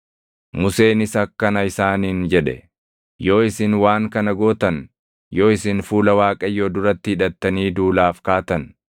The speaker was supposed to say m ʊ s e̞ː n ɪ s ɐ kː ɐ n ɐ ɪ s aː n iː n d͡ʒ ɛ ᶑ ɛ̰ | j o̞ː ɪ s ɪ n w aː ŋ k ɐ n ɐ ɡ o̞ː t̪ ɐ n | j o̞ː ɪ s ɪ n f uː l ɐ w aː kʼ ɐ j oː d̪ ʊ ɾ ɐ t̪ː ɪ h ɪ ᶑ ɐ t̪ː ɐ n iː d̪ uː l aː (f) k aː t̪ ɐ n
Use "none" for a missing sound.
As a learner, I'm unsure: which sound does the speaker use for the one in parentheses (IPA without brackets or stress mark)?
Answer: f